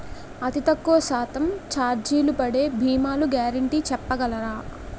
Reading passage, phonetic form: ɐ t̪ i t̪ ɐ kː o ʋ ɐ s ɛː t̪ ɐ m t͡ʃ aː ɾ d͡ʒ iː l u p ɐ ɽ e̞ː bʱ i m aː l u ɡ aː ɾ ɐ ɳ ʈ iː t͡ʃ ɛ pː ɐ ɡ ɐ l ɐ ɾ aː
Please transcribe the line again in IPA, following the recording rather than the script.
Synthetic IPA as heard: ɐ t̪ i t̪ ɐ kː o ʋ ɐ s aː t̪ ɐ m t͡ʃ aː ɾ d͡ʒ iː l u p ɐ ɽ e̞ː bʱ iː m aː l u ɡ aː ɾ ɐ ɳ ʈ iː t͡ʃ ɛ pː ɐ ɡ ɐ l ɐ ɾ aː